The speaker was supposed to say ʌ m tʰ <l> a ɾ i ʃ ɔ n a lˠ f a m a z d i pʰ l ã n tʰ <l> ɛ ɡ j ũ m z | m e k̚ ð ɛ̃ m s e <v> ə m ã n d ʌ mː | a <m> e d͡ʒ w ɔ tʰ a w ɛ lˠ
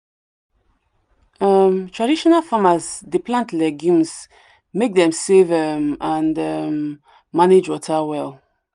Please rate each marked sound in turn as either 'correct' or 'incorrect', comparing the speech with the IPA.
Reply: incorrect: ɹ, correct, correct, incorrect: n

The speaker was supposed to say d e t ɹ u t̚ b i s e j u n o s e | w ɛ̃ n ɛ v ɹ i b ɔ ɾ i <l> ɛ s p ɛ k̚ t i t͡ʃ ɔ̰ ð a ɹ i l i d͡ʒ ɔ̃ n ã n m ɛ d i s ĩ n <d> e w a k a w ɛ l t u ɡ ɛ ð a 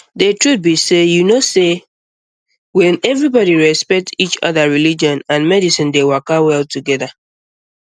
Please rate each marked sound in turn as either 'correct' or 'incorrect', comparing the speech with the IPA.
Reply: incorrect: ɹ, correct

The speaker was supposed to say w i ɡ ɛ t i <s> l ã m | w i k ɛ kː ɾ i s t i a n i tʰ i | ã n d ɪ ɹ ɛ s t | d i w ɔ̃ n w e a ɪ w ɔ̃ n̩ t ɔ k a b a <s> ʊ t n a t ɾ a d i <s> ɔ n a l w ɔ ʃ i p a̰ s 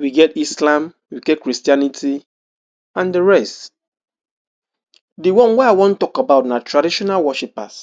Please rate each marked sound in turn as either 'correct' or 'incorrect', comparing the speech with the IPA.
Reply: correct, incorrect: none, incorrect: ʃ

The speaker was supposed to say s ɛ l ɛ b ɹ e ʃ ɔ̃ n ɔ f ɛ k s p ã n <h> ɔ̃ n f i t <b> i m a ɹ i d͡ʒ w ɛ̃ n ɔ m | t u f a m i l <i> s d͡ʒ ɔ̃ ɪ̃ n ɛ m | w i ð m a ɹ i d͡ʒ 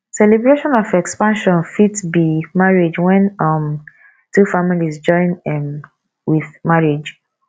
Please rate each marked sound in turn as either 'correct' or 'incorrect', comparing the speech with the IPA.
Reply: incorrect: ʃ, correct, correct

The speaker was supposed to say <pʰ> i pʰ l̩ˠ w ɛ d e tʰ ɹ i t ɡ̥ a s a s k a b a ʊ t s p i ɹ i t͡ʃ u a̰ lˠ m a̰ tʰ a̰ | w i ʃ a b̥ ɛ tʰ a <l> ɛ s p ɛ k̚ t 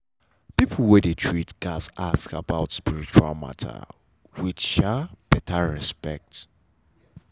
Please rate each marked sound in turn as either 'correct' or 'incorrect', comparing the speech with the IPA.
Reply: incorrect: p, incorrect: ɹ

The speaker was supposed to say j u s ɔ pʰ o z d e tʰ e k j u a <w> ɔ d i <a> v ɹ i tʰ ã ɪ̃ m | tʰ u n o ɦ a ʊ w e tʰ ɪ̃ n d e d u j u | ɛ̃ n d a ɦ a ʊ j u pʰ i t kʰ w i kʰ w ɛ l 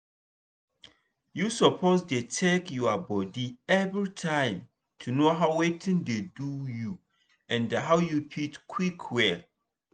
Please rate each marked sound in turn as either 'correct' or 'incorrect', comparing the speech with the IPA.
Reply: incorrect: b, incorrect: ɛ

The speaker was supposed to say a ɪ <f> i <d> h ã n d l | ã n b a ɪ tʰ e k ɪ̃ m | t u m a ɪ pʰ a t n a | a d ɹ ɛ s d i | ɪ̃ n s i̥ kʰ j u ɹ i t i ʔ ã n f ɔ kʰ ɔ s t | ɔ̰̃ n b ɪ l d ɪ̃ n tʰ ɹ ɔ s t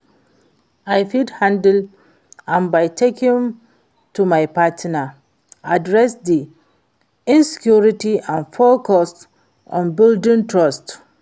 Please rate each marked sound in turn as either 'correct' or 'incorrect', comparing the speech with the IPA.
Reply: correct, correct

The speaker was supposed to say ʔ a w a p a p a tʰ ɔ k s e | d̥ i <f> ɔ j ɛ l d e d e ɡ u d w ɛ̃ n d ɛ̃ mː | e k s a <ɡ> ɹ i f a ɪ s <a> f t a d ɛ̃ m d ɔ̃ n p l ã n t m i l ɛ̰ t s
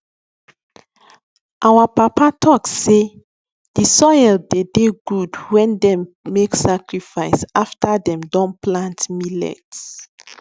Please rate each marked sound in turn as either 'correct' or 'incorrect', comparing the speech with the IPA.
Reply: incorrect: s, incorrect: k, correct

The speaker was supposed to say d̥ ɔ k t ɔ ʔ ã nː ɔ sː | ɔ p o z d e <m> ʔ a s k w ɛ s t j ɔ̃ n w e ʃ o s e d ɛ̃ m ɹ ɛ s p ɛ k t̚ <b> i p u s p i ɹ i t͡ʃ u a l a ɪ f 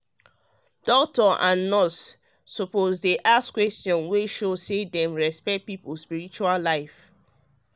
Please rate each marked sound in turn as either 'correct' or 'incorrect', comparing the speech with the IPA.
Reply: incorrect: none, incorrect: p

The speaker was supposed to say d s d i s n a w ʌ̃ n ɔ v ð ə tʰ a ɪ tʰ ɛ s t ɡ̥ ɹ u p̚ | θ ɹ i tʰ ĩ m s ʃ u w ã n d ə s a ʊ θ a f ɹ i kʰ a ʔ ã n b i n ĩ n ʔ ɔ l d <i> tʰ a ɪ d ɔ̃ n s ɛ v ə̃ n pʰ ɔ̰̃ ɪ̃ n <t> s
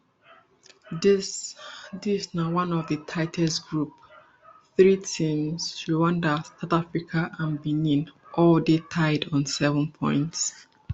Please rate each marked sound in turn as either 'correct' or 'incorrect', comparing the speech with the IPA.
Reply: incorrect: e, correct

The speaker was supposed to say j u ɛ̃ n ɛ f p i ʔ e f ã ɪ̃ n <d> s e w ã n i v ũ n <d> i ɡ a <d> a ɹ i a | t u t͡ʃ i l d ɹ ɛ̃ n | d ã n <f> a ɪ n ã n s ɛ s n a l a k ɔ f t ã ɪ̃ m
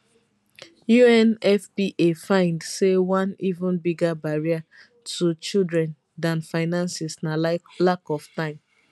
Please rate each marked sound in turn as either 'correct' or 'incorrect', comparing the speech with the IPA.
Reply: correct, incorrect: b, incorrect: b, correct

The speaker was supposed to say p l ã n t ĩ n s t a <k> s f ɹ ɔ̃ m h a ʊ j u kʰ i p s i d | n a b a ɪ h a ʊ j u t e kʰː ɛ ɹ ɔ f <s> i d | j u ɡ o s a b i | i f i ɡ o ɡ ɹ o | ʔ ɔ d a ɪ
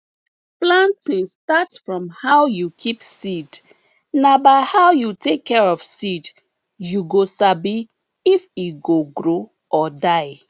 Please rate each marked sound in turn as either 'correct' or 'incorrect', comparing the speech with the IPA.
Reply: incorrect: t, correct

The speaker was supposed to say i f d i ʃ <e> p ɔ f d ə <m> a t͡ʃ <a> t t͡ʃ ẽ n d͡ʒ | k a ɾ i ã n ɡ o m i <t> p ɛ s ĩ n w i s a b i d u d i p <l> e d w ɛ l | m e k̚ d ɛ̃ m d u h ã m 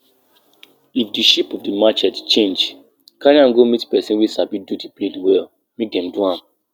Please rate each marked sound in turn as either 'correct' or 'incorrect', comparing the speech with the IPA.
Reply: incorrect: i, correct, incorrect: ɛ, correct, correct

